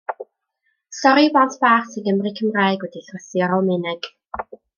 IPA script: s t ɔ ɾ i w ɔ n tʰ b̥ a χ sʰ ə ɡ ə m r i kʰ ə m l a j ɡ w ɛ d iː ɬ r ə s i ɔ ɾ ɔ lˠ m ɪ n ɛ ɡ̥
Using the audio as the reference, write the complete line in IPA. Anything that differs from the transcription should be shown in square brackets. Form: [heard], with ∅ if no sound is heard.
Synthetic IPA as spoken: s t ɔ ɾ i [b] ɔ n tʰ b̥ a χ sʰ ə ɡ ə m r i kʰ ə m [r] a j ɡ w ɛ d [i] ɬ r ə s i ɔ ɾ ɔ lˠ m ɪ n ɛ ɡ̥